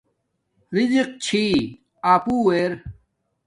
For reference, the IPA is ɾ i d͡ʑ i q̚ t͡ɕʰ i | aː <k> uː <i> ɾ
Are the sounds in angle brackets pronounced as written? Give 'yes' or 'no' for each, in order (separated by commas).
no, no